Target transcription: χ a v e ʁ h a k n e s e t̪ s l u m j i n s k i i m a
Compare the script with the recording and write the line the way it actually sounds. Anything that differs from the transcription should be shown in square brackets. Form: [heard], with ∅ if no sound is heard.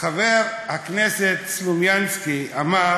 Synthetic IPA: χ a v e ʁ h a k n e s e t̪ s l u m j [a] n s k i [a] m a